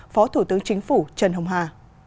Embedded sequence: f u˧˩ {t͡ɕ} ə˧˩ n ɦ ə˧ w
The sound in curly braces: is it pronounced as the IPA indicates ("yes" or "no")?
yes